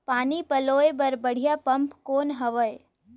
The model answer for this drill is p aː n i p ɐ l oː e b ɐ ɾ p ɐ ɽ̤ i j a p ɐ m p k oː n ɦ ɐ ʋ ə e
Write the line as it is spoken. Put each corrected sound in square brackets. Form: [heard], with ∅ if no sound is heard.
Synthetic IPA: p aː n i p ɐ l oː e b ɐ ɾ [b] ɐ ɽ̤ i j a p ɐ m p k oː n ɦ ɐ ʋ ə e